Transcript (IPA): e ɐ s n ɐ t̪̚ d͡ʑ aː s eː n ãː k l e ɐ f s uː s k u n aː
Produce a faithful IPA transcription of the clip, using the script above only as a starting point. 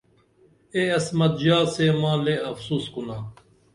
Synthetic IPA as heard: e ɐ s m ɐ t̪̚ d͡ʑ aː s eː m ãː l e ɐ f s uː s k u n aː